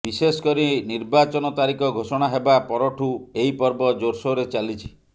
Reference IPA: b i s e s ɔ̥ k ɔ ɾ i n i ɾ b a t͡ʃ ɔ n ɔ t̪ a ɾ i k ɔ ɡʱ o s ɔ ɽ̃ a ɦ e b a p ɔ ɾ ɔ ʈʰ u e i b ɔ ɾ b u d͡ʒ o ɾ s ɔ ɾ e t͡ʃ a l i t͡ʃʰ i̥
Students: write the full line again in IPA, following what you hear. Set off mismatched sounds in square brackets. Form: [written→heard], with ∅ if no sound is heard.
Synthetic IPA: b i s e s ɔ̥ k ɔ ɾ i n i ɾ b a t͡ʃ ɔ n ɔ t̪ a ɾ i k ɔ ɡʱ o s ɔ ɽ̃ a ɦ e b a p ɔ ɾ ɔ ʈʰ u e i [b→p] ɔ ɾ b [u→ɔ] d͡ʒ o ɾ s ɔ ɾ e t͡ʃ a l i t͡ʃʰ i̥